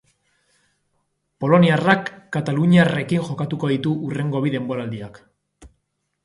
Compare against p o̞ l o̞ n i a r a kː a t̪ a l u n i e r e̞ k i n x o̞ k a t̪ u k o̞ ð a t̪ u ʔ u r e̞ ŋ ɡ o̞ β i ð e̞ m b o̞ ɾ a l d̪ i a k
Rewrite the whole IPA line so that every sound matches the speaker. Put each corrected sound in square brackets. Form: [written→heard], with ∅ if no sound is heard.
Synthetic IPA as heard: p o̞ l o̞ n i a r a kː a t̪ a l u [n→ɲ] i [e→a] r e̞ k i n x o̞ k a t̪ u k o̞ ð [a→i] t̪ u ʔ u r e̞ ŋ ɡ o̞ β i ð e̞ m b o̞ ɾ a l d̪ i a k